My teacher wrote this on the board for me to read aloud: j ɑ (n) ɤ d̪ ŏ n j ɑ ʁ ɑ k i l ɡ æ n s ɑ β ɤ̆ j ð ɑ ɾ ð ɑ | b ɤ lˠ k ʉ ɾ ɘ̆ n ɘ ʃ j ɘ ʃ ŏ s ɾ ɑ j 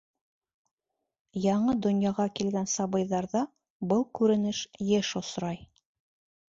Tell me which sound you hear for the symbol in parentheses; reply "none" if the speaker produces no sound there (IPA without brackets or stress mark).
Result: ɴ